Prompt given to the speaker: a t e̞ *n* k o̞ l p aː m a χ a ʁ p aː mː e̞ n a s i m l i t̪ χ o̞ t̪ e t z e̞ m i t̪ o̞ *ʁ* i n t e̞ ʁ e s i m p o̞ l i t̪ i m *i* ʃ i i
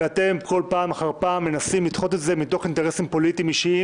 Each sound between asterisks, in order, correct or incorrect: incorrect: m, incorrect: χ, correct

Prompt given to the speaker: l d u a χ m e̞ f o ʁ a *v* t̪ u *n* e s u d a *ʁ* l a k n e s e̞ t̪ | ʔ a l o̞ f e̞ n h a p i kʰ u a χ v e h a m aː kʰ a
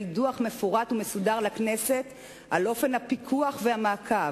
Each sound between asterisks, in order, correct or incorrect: incorrect: none, incorrect: m, correct

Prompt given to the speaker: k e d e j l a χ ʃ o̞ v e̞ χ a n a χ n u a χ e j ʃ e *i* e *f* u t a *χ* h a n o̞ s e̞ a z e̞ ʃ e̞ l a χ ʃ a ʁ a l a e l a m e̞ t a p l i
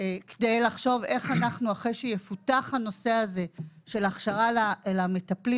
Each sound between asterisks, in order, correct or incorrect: incorrect: j, correct, correct

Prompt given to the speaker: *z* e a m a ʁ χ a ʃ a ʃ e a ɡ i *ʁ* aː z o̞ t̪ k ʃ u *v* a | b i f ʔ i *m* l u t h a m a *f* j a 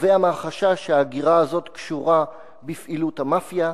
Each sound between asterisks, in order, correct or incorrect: incorrect: v, correct, incorrect: ʁ, incorrect: none, correct

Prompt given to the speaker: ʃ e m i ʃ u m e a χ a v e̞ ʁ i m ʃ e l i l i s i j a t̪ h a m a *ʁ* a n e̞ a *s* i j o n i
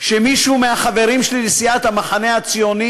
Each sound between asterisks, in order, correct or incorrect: incorrect: χ, incorrect: t͡s

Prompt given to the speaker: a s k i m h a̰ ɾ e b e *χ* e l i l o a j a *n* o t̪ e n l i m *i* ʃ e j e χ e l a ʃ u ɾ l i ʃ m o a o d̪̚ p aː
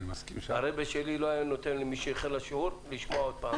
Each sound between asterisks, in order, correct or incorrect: incorrect: ʃ, correct, correct

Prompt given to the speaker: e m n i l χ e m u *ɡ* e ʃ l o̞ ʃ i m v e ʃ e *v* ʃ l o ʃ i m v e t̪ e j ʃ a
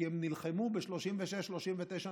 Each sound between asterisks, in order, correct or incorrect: incorrect: b, incorrect: none

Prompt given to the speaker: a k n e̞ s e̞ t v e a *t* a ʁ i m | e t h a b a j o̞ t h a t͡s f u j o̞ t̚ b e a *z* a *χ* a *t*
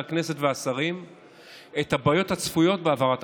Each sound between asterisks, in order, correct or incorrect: incorrect: s, incorrect: v, incorrect: ʁ, correct

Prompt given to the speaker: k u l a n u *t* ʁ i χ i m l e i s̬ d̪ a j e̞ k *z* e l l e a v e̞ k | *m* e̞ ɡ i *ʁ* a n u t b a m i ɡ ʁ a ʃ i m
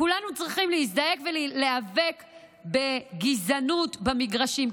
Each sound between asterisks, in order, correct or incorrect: incorrect: t͡s, incorrect: v, incorrect: b, incorrect: z

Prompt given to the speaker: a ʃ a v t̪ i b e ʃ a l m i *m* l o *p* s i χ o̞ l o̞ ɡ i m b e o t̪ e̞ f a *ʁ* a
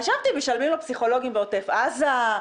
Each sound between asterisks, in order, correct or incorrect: correct, correct, incorrect: z

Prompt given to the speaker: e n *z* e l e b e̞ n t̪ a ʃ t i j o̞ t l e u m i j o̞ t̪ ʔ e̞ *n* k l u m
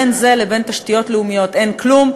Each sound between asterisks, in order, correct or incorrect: correct, correct

